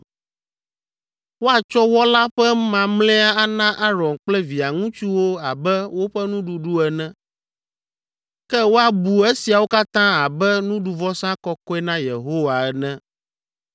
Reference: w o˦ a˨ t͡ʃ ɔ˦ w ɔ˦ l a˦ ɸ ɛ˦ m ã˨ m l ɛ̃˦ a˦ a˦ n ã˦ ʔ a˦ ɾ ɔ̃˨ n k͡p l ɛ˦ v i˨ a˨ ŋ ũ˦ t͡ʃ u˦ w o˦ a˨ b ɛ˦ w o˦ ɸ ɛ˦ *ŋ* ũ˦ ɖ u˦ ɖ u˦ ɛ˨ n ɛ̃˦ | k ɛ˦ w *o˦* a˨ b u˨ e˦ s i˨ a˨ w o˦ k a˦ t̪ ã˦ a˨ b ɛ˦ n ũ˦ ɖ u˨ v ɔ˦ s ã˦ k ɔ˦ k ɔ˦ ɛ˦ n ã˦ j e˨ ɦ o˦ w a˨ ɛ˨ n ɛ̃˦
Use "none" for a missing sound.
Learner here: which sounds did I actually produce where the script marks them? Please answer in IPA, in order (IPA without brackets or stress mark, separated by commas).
n, o˦